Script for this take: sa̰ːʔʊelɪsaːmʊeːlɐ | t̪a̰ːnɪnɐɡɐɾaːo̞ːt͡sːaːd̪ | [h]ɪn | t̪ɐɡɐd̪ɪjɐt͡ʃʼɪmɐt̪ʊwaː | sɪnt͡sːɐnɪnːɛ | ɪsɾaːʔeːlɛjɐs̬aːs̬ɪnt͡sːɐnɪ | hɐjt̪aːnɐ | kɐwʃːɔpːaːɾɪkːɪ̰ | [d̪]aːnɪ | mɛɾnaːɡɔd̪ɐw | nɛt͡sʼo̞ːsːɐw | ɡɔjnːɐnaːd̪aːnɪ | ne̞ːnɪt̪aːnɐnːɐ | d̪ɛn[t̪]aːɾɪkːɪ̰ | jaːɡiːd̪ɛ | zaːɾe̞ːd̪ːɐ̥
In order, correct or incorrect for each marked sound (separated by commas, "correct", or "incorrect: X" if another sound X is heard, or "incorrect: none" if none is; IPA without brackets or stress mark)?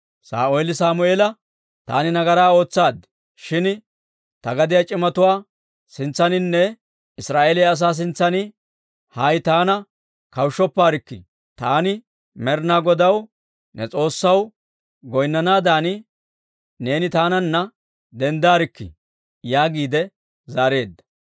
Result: incorrect: ʃ, incorrect: t̪, incorrect: d̪